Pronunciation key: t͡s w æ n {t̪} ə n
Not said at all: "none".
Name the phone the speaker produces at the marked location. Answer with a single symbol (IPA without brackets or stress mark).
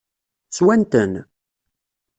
t̪